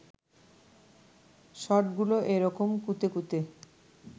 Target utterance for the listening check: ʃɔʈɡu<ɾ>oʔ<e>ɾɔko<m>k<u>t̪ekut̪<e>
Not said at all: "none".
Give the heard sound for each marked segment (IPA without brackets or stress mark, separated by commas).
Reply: l, e, m, u, e